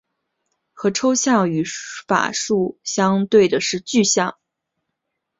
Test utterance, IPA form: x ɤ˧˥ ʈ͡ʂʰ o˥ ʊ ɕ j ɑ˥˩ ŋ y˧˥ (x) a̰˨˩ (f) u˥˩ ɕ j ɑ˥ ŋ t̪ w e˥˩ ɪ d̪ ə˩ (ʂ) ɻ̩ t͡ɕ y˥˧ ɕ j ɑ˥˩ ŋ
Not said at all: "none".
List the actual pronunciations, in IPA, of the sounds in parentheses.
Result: f, ʂ, ʂ

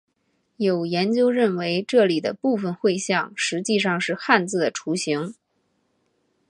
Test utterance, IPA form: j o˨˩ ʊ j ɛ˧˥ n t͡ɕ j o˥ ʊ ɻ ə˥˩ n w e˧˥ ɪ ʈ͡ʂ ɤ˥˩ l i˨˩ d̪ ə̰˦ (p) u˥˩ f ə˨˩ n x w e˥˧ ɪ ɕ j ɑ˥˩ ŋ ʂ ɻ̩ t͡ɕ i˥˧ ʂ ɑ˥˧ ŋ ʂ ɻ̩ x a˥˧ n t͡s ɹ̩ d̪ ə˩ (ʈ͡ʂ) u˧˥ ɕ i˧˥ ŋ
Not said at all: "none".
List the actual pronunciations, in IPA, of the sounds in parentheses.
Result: p, ʈ͡ʂʰ

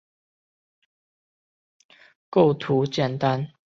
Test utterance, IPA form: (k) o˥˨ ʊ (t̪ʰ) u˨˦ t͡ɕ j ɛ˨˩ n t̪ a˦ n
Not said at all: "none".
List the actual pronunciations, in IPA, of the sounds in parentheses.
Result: k, t̪ʰ

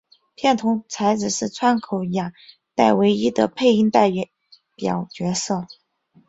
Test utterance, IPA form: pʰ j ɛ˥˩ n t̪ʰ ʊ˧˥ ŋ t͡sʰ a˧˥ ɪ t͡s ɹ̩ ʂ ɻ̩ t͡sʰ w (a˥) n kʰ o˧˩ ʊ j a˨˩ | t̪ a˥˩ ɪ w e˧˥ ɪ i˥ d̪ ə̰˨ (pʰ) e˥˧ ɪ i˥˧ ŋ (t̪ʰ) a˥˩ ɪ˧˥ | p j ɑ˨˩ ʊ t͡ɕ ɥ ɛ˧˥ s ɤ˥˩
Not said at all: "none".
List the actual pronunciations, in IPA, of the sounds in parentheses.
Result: a˥, pʰ, t̪

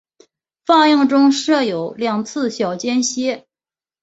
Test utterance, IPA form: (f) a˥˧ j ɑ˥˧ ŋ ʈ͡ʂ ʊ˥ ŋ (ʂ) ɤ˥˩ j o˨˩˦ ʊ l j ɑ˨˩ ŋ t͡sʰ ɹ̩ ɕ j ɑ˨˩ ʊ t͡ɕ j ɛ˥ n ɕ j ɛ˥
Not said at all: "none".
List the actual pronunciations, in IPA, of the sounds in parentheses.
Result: f, ʂ

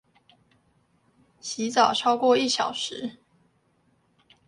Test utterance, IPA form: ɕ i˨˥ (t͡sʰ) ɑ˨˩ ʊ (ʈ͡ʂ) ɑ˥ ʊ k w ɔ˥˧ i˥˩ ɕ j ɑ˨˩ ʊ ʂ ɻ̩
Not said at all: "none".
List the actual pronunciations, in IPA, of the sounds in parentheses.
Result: t͡s, ʈ͡ʂʰ

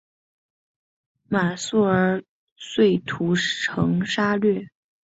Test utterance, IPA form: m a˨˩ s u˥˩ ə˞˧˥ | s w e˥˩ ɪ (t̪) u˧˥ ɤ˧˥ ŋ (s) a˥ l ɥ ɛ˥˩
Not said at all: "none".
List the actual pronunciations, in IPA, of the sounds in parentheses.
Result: t̪ʰ, ʂ

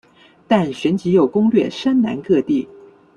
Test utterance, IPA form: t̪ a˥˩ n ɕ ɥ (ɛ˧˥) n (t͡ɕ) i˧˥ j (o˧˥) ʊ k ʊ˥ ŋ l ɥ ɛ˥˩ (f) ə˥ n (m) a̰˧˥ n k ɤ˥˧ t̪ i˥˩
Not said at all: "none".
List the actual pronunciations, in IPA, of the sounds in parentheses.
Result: ɛ˧˥, t͡ɕ, o˨˩, ʂ, n

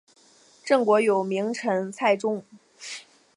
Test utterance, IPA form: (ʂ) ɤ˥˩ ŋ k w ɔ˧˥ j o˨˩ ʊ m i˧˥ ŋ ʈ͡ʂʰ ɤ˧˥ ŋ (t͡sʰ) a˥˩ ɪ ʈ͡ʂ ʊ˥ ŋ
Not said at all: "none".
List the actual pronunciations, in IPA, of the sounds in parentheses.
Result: ʈ͡ʂ, t͡sʰ

